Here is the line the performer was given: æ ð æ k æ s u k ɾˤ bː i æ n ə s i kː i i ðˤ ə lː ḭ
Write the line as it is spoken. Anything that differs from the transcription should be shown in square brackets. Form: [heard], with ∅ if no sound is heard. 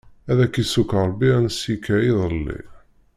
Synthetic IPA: æ ð æ k [i] s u k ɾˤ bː i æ n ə s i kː [æ] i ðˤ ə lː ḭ